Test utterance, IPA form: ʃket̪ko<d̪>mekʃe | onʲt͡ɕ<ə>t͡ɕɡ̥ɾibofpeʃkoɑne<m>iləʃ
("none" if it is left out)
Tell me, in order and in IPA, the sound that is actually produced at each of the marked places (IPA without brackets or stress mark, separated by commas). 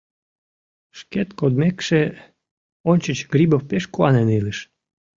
d̪, ə, n